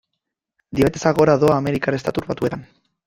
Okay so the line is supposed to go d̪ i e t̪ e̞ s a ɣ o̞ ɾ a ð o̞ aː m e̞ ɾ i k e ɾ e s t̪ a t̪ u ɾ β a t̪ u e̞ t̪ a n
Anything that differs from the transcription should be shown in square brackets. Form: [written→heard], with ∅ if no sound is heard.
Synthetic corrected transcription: d̪ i e t̪ e̞ s a ɣ o̞ ɾ a ð o̞ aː m e̞ ɾ i k [e→a] ɾ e s t̪ a t̪ u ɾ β a t̪ u e̞ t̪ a n